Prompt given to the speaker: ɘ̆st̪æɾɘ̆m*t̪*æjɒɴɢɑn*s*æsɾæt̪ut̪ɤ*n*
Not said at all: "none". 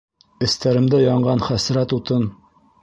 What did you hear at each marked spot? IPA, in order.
d̪, χ, n

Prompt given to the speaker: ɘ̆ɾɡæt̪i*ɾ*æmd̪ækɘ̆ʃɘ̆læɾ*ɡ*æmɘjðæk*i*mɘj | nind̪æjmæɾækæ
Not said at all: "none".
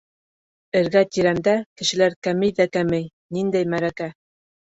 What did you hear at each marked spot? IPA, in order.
ɾ, k, æ

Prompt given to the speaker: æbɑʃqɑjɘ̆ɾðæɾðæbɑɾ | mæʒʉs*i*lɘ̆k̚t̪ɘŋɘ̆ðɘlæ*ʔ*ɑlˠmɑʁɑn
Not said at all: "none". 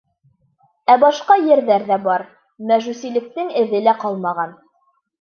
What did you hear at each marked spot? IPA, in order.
i, q

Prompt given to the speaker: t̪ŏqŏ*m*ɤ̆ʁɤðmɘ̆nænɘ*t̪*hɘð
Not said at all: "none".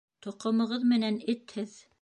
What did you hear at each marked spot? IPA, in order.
m, t̪

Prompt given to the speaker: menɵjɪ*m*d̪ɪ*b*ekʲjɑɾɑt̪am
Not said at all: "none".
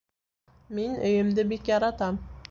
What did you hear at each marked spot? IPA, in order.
m, b

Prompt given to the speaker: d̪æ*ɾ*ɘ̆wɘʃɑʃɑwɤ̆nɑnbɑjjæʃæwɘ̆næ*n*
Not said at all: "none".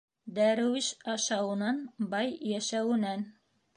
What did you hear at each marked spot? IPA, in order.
ɾ, n

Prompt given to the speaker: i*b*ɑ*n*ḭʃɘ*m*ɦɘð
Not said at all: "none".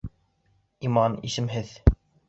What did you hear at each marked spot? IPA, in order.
m, n, m

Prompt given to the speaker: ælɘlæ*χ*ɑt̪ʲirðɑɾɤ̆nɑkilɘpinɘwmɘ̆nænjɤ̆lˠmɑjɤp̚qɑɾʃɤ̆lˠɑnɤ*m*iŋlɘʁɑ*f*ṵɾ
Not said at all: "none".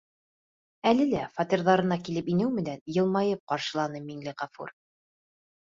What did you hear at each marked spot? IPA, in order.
f, m, f

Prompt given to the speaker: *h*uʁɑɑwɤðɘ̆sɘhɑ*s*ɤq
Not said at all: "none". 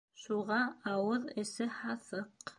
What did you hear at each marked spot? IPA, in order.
ʃ, θ

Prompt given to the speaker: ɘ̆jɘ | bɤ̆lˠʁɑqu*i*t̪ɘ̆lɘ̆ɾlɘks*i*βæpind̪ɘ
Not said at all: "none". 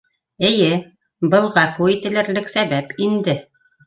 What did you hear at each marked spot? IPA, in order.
i, æ

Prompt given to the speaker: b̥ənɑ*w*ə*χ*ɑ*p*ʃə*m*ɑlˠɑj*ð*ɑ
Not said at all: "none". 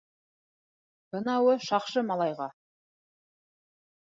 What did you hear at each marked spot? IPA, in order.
w, ʃ, q, m, ʁ

